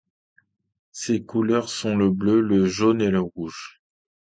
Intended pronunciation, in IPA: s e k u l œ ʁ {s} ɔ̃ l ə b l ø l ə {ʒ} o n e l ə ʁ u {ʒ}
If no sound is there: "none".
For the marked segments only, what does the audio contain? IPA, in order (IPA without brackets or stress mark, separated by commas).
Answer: s, ʒ, ʒ